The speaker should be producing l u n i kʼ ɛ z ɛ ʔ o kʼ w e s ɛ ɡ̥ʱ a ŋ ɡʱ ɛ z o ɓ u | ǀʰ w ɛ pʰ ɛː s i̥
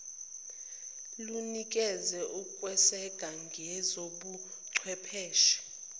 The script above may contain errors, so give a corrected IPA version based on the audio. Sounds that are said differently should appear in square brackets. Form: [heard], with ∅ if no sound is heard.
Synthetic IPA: l u n i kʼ ɛ z ɛ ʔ [u] kʼ w [ɛ] s ɛ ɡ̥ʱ a ŋ ɡʱ ɛ z o ɓ u | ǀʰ w ɛ pʰ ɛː [ʃ] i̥